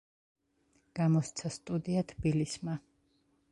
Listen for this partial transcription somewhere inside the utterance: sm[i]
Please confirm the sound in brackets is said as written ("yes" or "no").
no